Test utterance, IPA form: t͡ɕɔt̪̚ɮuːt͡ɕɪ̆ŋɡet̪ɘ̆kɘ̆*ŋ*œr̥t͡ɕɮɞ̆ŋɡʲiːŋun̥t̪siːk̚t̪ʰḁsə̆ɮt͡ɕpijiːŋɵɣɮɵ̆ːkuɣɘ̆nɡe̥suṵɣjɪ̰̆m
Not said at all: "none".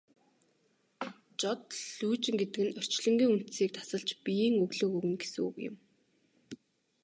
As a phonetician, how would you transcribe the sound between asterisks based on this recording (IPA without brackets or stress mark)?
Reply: n